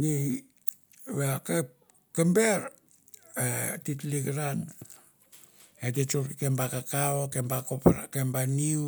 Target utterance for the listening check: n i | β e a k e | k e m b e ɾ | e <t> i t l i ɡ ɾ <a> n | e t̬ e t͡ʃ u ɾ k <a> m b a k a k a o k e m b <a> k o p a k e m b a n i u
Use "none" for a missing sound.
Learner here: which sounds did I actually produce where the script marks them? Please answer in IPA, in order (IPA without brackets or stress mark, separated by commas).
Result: t, a, e, a